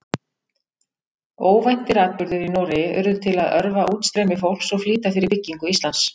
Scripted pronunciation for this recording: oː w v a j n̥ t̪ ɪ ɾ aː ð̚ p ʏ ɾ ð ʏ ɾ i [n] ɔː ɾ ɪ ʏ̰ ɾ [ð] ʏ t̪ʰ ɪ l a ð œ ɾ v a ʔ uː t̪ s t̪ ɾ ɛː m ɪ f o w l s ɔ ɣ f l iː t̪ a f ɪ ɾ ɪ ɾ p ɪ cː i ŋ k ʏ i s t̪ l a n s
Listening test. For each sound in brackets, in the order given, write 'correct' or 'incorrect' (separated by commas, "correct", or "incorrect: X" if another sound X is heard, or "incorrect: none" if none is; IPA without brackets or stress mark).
correct, correct